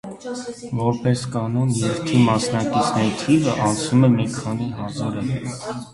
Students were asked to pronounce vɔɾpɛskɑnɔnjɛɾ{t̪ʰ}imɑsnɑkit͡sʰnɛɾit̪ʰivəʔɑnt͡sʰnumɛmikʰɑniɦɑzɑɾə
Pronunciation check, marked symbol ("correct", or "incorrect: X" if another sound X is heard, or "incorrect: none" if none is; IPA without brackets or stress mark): correct